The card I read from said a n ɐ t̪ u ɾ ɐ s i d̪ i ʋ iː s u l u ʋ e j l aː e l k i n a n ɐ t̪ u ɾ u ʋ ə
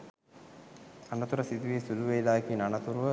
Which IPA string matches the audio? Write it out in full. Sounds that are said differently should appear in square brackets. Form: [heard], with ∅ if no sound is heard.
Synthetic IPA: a n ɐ t̪ u ɾ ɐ s i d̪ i ʋ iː s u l u ʋ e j l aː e [∅] k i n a n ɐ t̪ u ɾ u ʋ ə

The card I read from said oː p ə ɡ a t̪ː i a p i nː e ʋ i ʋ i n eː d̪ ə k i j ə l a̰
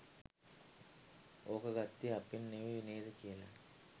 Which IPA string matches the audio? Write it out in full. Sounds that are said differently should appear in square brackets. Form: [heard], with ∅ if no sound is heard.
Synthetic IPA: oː [k] ə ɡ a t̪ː i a p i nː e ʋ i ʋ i n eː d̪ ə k i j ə l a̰

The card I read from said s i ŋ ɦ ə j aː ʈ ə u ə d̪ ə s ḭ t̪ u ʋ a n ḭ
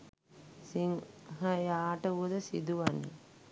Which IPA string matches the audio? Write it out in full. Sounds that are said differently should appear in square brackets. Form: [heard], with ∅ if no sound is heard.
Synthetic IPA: s i ŋ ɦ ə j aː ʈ ə u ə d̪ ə s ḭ [d̪] u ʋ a n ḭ

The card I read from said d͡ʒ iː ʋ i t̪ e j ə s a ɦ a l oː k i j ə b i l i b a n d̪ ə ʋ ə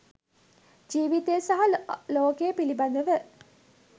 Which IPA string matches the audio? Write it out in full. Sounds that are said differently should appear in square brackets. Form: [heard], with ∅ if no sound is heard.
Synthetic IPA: d͡ʒ iː ʋ i t̪ e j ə s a ɦ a l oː k [e] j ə [p] i l i b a n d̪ ə ʋ ə

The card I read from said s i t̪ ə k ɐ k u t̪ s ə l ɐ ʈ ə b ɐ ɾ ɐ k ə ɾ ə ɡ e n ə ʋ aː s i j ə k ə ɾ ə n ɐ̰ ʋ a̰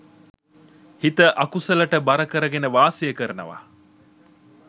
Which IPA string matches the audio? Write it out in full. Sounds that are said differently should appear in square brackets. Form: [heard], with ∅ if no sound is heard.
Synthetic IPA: [h] i t̪ ə [ʔ] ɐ k u [∅] s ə l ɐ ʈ ə b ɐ ɾ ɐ k ə ɾ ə ɡ e n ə ʋ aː s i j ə k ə ɾ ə n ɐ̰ ʋ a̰

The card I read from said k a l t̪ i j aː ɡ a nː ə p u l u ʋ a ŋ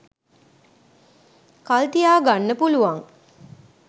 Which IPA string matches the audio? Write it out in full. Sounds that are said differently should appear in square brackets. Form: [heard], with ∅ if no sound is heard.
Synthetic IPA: k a l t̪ i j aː ɡ a nː ə p u l u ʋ a ŋ

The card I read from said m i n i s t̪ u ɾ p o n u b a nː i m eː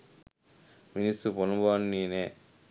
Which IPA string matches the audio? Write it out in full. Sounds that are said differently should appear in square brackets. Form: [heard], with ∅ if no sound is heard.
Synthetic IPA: m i n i s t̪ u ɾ p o n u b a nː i [n] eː

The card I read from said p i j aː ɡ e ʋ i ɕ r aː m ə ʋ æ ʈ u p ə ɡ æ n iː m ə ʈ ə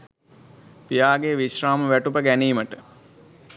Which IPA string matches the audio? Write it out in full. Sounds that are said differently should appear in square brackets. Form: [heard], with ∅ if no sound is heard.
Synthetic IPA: p i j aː ɡ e ʋ i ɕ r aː m ə ʋ æ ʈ u p ə ɡ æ n iː m ə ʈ ə

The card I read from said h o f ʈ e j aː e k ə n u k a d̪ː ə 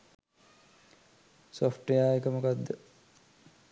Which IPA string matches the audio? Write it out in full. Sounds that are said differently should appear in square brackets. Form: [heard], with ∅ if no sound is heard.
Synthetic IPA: [s] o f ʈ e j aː e k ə [m] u k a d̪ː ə

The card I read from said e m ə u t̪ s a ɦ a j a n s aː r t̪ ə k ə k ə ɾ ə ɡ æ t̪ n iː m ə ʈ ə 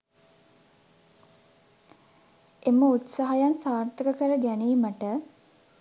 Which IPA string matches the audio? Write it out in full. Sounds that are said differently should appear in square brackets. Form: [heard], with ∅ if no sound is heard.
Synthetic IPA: e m ə u t̪ s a ɦ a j a n s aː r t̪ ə k ə k ə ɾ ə ɡ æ [∅] n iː m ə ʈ ə

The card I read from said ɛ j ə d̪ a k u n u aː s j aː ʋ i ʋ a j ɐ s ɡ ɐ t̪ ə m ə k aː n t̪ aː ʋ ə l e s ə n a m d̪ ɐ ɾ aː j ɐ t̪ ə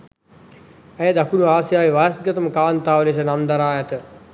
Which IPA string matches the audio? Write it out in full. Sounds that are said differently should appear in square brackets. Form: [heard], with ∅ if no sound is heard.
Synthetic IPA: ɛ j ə d̪ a k u n u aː s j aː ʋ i ʋ a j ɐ s ɡ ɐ t̪ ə m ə k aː n t̪ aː ʋ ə l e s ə n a m d̪ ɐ ɾ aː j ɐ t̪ ə

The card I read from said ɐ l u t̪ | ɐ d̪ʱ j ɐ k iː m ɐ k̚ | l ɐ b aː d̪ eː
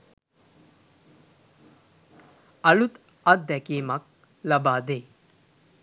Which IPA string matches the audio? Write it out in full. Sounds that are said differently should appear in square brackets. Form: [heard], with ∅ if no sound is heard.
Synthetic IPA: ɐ l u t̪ | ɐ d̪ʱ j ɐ k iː m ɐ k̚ | l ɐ b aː d̪ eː

